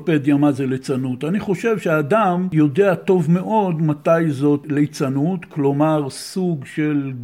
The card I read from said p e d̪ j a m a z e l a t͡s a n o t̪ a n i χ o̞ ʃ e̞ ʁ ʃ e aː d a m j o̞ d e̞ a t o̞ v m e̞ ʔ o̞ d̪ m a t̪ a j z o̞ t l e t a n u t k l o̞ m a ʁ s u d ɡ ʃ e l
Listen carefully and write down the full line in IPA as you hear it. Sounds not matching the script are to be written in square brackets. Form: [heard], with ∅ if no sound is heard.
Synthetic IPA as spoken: p e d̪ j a m a z e l [e] t͡s a n [u] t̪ a n i χ o̞ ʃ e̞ [v] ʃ e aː d a m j o̞ d e̞ a t o̞ v m e̞ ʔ o̞ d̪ m a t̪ a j z o̞ t l e [t͡s] a n u t k l o̞ m a ʁ s u [∅] ɡ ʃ e l